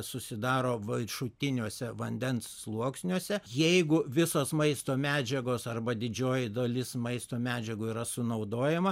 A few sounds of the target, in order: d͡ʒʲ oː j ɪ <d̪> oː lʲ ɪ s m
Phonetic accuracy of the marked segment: correct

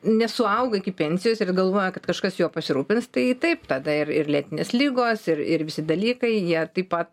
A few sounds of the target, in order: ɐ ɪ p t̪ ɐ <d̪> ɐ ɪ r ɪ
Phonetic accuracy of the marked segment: correct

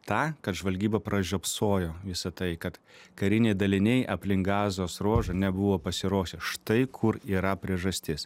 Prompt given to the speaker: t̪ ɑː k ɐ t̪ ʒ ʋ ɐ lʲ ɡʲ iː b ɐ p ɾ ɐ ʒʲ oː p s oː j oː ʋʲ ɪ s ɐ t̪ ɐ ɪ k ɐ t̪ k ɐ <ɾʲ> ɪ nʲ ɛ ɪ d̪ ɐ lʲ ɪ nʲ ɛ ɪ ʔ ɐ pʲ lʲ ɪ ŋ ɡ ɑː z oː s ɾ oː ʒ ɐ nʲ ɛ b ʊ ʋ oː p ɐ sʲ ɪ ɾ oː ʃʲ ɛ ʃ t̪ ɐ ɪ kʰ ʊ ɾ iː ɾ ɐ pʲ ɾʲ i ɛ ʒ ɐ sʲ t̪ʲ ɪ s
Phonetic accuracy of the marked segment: correct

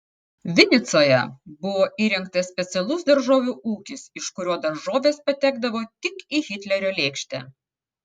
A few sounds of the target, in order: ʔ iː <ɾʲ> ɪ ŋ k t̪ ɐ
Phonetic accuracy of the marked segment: correct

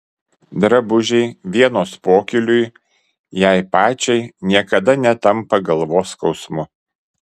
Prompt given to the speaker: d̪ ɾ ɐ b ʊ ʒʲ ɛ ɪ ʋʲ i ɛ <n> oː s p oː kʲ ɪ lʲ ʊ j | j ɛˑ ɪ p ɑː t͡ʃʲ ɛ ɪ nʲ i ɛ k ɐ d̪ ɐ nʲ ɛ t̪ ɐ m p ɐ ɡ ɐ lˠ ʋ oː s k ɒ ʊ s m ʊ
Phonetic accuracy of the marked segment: correct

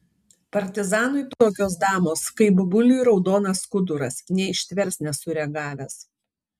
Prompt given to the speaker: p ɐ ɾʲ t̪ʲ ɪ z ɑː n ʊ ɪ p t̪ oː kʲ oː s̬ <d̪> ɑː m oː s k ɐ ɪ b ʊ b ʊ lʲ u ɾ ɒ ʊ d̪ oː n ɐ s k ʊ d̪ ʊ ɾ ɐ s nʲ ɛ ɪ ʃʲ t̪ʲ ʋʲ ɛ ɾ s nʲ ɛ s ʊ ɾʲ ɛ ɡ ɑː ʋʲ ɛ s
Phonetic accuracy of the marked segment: correct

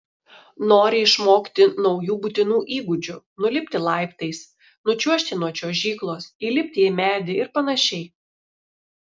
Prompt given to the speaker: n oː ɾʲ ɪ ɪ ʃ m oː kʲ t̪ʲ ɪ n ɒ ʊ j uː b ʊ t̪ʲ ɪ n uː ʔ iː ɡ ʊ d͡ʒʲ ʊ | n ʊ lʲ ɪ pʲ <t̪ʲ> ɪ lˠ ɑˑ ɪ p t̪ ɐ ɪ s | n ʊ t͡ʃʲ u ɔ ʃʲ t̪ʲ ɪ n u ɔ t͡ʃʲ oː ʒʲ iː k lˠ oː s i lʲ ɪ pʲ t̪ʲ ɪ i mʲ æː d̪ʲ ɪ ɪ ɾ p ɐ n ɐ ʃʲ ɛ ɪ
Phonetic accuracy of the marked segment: correct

